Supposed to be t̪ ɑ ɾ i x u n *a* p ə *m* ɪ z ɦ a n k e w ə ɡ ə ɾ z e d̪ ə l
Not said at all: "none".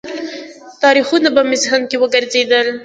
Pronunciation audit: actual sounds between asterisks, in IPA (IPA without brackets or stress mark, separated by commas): a, m